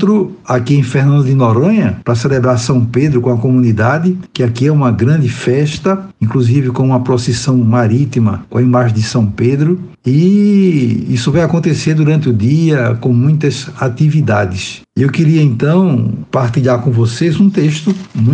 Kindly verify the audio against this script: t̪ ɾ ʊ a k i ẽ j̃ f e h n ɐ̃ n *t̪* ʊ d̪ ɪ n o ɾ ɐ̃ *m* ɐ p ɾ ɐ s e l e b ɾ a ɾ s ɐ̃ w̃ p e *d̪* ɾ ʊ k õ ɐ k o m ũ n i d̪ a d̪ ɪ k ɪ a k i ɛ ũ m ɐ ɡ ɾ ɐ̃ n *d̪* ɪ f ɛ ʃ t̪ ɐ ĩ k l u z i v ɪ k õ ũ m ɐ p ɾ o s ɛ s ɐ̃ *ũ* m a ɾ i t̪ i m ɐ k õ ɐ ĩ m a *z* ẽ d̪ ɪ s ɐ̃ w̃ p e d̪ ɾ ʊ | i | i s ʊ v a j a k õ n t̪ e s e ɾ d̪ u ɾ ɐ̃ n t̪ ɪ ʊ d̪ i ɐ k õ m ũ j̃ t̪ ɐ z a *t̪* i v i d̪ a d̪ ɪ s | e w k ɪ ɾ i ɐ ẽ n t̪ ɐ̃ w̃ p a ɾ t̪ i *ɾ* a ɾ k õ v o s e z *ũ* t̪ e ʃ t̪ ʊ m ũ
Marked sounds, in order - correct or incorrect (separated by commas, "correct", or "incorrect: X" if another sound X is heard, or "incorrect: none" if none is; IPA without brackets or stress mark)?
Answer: incorrect: d̪, incorrect: ɲ, correct, correct, incorrect: w̃, incorrect: ʒ, correct, incorrect: ʎ, correct